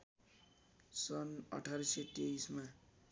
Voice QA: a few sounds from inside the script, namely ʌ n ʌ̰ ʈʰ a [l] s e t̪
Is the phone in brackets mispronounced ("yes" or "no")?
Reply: yes